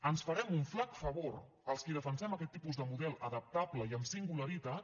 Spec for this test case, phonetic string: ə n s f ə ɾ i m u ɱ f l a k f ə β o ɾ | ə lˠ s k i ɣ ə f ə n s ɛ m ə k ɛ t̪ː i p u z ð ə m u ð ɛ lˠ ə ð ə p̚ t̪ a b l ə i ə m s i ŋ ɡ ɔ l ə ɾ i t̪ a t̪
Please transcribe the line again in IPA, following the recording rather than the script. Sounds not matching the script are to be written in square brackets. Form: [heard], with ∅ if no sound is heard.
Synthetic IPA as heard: ə n s f ə ɾ [ɛ] m u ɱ f l a k f ə β o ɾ | ə lˠ s k i [ð] ə f ə n s ɛ m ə k ɛ t̪ː i p u z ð ə m u ð ɛ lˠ ə ð ə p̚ t̪ a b l ə i ə m s i ŋ ɡ [u] l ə ɾ i t̪ a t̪